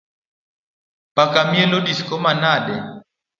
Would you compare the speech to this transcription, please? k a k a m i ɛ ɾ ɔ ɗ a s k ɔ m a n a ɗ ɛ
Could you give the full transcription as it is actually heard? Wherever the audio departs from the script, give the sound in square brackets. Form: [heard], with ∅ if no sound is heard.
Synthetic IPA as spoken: [p] a k a m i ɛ [l] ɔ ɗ [i] s k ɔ m a n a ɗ ɛ